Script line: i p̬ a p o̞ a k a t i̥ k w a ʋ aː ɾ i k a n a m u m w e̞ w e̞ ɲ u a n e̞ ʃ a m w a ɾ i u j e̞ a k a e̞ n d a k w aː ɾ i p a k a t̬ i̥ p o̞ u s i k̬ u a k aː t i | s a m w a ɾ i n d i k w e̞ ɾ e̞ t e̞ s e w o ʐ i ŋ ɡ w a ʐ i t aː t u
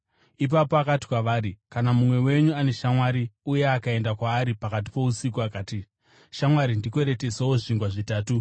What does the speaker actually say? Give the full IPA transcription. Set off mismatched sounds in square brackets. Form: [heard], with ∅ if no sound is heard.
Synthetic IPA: i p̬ a p o̞ a k a t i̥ k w a ʋ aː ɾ i k a n a m u m w e̞ w e̞ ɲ u a n e̞ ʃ a m w a ɾ i u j e̞ a k a e̞ n d a k w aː ɾ i p a k a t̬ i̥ p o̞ u s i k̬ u a k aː t i | [ʃ] a m w a ɾ i n d i k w e̞ ɾ e̞ t e̞ s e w o ʐ i ŋ ɡ w a ʐ i t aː t u